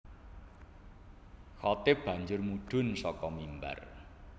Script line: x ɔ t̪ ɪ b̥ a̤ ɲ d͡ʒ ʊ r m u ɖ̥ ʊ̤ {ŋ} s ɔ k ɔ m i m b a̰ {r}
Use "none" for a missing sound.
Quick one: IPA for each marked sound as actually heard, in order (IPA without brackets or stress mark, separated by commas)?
n, r